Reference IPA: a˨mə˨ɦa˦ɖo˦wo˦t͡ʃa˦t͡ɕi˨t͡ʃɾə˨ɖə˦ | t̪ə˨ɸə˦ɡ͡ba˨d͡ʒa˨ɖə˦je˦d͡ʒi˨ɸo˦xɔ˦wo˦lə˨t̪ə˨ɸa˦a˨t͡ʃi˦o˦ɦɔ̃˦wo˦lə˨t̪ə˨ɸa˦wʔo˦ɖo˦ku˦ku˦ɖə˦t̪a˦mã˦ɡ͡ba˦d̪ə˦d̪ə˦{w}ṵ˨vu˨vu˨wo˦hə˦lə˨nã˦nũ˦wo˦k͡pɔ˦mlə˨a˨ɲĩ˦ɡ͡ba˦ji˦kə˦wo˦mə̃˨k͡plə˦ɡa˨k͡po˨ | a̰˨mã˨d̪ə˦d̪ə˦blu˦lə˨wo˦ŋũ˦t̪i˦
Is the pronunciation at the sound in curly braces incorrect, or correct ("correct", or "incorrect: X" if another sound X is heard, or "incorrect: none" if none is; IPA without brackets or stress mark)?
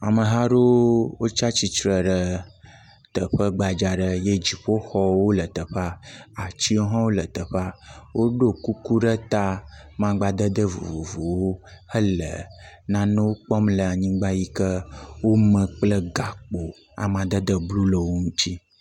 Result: incorrect: v